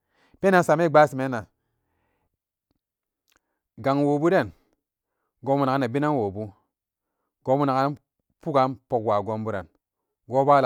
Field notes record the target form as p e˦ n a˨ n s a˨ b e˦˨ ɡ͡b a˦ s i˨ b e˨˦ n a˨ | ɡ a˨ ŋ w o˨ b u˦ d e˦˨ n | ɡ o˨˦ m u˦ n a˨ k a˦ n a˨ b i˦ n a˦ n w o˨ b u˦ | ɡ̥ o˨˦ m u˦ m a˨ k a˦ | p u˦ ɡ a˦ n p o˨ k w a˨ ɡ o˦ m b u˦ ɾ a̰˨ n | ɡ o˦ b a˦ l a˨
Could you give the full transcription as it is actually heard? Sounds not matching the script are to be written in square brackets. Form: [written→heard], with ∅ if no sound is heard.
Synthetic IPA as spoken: p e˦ n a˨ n s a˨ [b→m] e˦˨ ɡ͡b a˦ s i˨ [b→m] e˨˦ n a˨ | ɡ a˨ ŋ w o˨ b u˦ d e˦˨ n | ɡ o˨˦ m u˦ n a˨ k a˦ n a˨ b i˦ n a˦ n w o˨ b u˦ | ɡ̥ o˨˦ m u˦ [m→n] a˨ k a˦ | p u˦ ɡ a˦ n p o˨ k w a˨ ɡ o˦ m b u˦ ɾ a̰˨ n | ɡ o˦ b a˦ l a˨

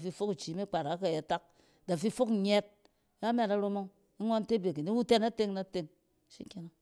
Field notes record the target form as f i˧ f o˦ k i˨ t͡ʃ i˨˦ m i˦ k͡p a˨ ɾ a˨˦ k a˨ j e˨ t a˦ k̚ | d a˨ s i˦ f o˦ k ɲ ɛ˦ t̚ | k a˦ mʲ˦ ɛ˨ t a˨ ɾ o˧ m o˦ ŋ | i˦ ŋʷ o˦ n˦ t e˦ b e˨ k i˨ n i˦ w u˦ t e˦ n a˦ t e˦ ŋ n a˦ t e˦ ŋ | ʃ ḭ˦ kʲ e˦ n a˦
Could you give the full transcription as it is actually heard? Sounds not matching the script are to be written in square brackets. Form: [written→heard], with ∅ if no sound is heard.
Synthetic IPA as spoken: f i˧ f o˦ k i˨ t͡ʃ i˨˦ m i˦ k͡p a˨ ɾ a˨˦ k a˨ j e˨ t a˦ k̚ | d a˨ [s→f] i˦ f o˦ k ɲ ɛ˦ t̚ | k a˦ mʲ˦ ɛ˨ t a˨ ɾ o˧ m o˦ ŋ | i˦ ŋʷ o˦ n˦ t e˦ b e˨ k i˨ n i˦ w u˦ t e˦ n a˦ t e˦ ŋ n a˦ t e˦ ŋ | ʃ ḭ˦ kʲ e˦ n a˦

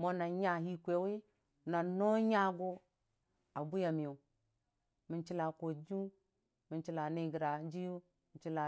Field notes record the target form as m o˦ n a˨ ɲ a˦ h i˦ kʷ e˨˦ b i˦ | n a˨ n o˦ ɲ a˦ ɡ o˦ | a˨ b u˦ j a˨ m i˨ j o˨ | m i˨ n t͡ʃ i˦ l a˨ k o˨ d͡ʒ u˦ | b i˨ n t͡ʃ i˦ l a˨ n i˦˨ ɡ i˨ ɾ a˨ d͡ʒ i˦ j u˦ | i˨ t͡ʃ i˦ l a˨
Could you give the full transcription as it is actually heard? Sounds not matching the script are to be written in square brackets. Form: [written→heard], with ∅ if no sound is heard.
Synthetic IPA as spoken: m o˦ n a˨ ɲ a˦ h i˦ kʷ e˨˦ [b→w] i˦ | n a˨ n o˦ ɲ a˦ ɡ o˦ | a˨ b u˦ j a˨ m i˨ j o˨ | m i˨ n t͡ʃ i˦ l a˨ k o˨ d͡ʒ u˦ | [b→m] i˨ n t͡ʃ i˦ l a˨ n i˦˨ ɡ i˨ ɾ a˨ d͡ʒ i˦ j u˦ | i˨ t͡ʃ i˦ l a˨

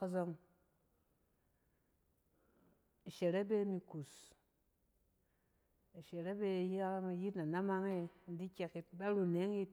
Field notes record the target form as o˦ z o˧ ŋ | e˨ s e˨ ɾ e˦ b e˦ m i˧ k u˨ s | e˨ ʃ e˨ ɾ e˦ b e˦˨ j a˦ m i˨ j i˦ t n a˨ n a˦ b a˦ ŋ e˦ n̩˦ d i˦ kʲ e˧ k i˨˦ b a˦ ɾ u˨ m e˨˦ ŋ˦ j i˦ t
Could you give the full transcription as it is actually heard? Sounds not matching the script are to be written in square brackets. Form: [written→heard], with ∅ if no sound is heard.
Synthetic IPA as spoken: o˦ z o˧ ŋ | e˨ [s→ʃ] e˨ ɾ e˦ b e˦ m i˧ k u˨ s | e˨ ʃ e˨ ɾ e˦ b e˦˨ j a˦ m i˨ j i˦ t n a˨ n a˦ [b→m] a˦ ŋ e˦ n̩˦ d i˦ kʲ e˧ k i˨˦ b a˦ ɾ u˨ [m→n] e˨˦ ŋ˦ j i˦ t

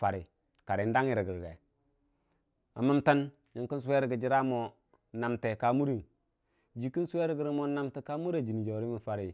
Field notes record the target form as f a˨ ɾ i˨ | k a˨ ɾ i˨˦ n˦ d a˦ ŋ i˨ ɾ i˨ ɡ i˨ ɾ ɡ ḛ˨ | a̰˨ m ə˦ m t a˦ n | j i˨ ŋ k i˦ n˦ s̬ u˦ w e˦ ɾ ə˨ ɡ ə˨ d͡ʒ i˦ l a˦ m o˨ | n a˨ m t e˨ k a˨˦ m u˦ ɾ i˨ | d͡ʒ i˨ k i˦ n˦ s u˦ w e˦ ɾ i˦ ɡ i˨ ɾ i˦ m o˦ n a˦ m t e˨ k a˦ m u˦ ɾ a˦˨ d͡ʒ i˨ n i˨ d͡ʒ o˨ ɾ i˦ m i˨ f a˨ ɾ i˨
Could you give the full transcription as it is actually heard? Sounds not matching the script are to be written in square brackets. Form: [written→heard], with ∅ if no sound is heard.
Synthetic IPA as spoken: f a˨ ɾ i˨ | k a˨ ɾ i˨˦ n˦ d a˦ ŋ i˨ ɾ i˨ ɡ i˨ ɾ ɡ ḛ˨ | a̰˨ m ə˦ m t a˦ n | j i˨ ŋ k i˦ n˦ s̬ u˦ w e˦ ɾ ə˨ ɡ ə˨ d͡ʒ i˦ [l→ɾ] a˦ m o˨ | n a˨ m t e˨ k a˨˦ m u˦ ɾ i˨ | d͡ʒ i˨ k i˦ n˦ s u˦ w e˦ ɾ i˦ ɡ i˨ ɾ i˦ m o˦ n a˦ m t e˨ k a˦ m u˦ ɾ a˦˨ d͡ʒ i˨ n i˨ d͡ʒ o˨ ɾ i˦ m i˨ f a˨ ɾ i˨

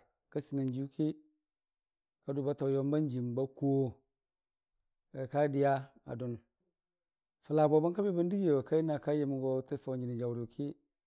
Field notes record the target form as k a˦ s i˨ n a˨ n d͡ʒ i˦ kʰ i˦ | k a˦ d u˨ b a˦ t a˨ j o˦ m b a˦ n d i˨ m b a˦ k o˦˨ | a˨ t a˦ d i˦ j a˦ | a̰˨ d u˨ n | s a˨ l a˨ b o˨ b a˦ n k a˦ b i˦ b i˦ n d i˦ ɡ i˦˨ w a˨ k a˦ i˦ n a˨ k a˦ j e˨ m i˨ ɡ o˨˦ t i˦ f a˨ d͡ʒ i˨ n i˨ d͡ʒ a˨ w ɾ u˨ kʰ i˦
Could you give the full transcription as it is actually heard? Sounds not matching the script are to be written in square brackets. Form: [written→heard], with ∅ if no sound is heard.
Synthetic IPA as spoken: k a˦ s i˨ n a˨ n d͡ʒ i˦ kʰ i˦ | k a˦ d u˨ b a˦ t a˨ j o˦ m b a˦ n [d→d͡ʒ] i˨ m b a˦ k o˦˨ | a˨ [t→k] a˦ d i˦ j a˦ | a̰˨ d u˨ n | [s→f] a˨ l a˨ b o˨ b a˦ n k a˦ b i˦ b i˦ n d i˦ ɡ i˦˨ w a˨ k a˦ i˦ n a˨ k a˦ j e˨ m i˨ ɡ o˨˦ t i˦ f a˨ d͡ʒ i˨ n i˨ d͡ʒ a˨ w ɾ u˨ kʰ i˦

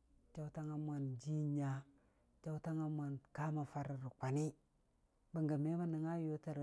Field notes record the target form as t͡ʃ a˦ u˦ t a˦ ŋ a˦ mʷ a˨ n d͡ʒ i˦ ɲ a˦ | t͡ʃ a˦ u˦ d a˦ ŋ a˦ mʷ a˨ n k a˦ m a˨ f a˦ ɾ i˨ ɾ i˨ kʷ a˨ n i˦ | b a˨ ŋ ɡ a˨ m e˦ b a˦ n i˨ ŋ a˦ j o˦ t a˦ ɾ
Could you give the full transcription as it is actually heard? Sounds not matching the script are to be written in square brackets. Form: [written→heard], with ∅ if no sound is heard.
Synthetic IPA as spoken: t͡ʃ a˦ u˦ t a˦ ŋ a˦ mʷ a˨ n d͡ʒ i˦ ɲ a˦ | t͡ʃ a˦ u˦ [d→t] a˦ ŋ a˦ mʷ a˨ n k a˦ m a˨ f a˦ ɾ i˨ ɾ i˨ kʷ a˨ n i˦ | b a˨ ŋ ɡ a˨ m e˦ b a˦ n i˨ ŋ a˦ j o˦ t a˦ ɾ

